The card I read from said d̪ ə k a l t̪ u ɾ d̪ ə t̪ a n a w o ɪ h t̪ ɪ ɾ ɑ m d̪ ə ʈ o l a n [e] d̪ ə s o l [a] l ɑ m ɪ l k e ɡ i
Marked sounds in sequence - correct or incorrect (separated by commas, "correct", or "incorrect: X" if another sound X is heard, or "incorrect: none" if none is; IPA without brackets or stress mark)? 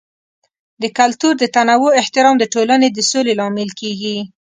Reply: correct, incorrect: e